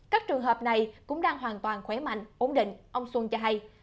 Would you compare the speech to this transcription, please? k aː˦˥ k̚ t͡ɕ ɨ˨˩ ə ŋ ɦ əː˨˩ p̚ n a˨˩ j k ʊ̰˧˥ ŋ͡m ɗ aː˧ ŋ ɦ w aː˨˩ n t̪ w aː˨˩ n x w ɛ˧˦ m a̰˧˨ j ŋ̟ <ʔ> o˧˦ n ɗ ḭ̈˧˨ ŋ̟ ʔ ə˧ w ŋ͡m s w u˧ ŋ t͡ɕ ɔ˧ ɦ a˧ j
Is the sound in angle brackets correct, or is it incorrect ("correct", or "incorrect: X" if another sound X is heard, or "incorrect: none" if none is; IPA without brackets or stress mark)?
correct